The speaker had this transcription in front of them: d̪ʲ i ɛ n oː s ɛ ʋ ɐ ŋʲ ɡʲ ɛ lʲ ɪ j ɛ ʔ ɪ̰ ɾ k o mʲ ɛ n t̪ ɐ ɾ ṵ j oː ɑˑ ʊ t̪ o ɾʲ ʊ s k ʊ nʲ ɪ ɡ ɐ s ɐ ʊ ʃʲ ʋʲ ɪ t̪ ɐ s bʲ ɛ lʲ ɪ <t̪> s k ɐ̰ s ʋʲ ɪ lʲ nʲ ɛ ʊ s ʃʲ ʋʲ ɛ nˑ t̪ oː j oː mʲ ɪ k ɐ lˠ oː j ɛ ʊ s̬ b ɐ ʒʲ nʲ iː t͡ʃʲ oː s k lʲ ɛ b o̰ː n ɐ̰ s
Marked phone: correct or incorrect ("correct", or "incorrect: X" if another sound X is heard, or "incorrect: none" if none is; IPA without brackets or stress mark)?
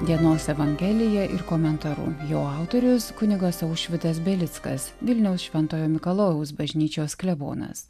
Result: correct